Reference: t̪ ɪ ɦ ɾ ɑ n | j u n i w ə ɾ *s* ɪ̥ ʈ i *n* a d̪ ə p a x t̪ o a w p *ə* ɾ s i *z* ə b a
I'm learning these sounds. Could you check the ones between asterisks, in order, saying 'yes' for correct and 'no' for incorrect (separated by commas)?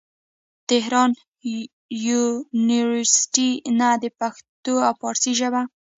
yes, yes, no, no